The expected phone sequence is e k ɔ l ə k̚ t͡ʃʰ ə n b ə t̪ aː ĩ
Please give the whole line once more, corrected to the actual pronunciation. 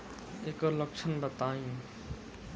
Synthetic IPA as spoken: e k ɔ l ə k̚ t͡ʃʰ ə n b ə t̪ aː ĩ